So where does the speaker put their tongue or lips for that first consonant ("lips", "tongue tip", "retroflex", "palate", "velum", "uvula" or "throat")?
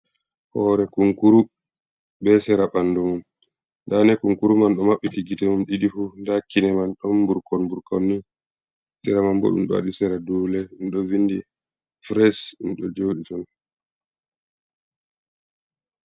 throat